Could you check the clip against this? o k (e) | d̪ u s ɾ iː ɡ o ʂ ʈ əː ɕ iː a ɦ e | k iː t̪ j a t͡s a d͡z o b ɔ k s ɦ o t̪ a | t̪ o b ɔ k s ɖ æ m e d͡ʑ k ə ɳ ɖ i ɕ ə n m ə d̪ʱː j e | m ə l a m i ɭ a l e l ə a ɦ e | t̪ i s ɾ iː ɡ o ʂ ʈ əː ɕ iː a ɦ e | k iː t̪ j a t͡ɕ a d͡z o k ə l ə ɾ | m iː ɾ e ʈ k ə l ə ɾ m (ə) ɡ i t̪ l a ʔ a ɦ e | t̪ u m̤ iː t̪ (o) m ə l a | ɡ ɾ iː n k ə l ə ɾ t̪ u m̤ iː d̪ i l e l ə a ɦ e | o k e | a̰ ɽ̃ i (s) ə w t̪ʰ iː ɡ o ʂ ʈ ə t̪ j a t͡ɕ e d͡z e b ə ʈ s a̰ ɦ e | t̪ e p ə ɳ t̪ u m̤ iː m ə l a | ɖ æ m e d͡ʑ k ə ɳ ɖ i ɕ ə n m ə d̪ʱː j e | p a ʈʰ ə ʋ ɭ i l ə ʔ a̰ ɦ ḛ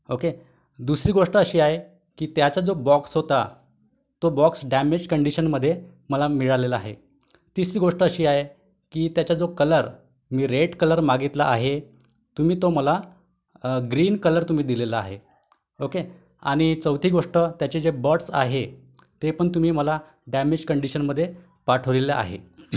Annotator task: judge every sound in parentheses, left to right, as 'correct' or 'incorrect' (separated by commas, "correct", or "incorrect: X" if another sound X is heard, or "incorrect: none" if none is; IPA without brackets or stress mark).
correct, incorrect: a, correct, incorrect: t͡s